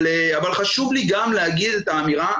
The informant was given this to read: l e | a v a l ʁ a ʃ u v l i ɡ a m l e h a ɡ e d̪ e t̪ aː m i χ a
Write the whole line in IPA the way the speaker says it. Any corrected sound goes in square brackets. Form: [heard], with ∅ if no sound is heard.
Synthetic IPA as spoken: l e | a v a l [χ] a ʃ u v l i ɡ a m l e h a ɡ [i] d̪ e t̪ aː m i [ʁ] a